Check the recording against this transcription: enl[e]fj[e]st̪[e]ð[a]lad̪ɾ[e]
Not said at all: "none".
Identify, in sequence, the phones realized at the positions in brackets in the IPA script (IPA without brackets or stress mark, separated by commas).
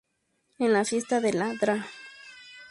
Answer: a, e, a, e, a